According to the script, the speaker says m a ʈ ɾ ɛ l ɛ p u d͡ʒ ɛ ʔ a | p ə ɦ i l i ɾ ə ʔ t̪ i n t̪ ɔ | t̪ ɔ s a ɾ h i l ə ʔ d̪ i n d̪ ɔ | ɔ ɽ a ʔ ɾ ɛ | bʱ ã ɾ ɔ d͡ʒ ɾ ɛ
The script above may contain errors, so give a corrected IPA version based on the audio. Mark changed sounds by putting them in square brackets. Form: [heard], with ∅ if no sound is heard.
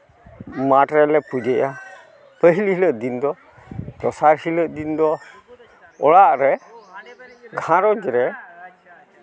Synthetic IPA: m a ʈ ɾ ɛ l ɛ p u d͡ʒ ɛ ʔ a | p ə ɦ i l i [l] ə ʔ [d̪] i n [d̪] ɔ | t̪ ɔ s a ɾ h i l ə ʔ d̪ i n d̪ ɔ | ɔ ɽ a ʔ ɾ ɛ | [ɡʱ] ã ɾ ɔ d͡ʒ ɾ ɛ